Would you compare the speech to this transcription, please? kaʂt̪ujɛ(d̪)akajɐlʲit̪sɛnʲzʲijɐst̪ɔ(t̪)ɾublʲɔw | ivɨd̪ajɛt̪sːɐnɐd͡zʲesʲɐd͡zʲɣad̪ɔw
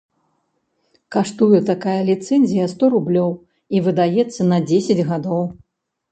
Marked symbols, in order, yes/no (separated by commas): no, no